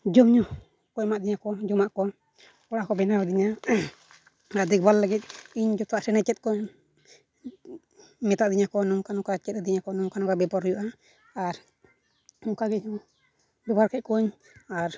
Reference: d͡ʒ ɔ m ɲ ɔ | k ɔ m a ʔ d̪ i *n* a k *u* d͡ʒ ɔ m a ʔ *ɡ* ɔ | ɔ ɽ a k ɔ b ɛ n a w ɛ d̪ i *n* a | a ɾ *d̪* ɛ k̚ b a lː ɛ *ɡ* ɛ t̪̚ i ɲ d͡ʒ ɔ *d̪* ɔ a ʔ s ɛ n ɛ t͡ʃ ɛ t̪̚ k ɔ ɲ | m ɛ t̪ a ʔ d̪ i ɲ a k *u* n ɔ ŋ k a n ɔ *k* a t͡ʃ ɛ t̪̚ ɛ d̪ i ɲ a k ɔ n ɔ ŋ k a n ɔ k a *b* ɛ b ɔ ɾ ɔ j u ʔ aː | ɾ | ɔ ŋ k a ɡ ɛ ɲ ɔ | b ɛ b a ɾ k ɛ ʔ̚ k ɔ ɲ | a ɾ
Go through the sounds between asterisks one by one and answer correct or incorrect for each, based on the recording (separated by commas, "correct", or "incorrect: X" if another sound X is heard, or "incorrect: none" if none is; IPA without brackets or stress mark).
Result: incorrect: ɲ, incorrect: ɔ, incorrect: k, incorrect: ɲ, correct, correct, incorrect: t̪, incorrect: ɔ, correct, correct